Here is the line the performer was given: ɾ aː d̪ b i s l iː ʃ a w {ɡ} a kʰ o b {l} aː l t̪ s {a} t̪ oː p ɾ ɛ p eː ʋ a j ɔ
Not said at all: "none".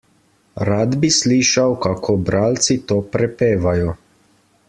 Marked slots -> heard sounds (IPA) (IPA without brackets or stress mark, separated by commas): k, ɾ, i